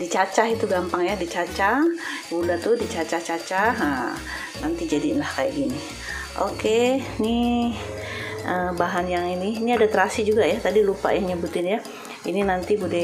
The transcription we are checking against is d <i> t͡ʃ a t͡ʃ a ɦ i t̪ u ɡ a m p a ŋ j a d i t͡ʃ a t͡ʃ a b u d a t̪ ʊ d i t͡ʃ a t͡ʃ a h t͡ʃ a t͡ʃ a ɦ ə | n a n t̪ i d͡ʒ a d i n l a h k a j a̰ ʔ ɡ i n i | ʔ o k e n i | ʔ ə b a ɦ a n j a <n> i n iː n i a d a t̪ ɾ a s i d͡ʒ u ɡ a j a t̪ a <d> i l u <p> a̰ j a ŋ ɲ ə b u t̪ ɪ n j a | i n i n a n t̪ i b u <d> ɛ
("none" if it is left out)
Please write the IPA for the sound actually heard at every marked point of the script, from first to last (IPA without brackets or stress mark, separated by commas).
i, ŋ, d, p, d